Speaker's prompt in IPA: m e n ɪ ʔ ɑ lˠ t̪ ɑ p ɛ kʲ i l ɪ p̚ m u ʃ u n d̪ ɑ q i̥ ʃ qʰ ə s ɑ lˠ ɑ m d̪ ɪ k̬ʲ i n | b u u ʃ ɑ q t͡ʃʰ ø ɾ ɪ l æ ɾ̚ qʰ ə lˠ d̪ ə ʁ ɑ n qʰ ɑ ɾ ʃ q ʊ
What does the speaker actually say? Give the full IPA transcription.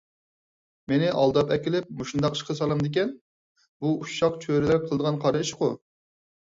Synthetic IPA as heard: m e n ɪ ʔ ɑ lˠ d̪ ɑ p ɛ kʲ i l ɪ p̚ m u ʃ u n d̪ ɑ q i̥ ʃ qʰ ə s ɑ lˠ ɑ m d̪ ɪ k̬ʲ ɛ n | b u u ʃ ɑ q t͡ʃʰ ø ɾ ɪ l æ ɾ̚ qʰ ə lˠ d̪ ə ʁ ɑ n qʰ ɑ ɾ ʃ q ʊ

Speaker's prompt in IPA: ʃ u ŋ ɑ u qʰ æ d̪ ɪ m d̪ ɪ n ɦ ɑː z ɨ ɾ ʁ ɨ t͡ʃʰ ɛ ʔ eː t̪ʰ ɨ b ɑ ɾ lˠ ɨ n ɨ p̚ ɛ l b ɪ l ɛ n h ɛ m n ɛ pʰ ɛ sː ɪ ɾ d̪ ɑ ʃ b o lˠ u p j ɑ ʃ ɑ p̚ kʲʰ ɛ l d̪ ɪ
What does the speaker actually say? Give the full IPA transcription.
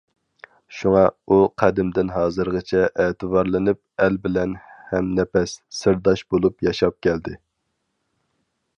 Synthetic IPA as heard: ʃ u ŋ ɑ u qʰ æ d̪ ɪ m d̪ ɪ n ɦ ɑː z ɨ ɾ ʁ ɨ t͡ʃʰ ɛ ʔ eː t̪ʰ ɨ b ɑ ɾ lˠ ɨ n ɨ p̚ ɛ l b ɪ l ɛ n h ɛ m n ɛ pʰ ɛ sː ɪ ɾ d̪ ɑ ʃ b o lˠ u p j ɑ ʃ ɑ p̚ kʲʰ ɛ l d̪ ɪ

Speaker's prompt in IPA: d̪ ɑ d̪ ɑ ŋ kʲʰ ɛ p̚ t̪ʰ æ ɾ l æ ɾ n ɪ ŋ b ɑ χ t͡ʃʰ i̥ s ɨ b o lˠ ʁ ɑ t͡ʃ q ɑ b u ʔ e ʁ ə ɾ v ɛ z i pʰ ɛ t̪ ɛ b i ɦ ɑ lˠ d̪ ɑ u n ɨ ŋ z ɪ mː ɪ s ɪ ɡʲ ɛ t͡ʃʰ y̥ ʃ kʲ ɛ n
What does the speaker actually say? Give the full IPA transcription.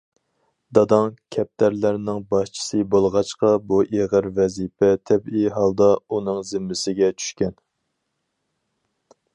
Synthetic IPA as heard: d̪ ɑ d̪ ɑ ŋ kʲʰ ɛ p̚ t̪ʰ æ ɾ l æ ɾ n ɪ ŋ b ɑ ʃ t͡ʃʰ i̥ s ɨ b o lˠ ʁ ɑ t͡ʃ q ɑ b u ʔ e ʁ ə ɾ v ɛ z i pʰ ɛ t̪ʰ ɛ b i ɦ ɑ lˠ d̪ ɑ u n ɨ ŋ z ɪ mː ɪ s ɪ ɡʲ ɛ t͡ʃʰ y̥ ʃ kʲ ɛ n

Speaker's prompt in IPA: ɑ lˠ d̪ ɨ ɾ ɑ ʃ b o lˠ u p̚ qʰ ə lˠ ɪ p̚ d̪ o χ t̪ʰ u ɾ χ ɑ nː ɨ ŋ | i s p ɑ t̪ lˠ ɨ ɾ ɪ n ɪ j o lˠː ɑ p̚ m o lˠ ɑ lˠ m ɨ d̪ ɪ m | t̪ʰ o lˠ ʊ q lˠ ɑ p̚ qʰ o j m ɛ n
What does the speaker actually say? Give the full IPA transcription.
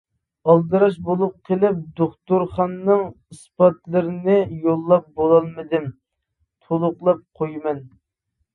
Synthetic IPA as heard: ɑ lˠ d̪ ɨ ɾ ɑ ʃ b o lˠ u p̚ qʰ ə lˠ ɪ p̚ d̪ o χ t̪ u ɾ χ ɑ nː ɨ ŋ | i s p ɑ t̪ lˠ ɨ ɾ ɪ n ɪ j o lˠː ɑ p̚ b o lˠ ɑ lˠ m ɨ d̪ ɪ m | t̪ʰ o lˠ ʊ q lˠ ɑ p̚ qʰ o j m ɛ n

